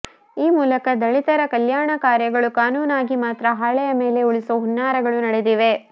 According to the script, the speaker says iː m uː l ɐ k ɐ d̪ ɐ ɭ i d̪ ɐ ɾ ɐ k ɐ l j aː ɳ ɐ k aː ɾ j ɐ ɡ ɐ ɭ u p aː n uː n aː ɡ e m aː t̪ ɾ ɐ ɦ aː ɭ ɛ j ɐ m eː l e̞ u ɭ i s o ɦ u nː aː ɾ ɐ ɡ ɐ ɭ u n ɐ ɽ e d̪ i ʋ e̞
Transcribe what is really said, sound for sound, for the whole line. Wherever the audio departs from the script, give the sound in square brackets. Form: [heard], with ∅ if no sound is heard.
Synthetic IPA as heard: iː m uː l ɐ k ɐ d̪ ɐ ɭ i [t̪] ɐ ɾ ɐ k ɐ l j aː ɳ ɐ k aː ɾ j ɐ ɡ ɐ ɭ u [k] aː n uː n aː ɡ [i] m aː t̪ ɾ ɐ ɦ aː ɭ ɛ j ɐ m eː l e̞ u ɭ i s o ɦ u nː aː ɾ ɐ ɡ ɐ ɭ u n ɐ ɽ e d̪ i ʋ e̞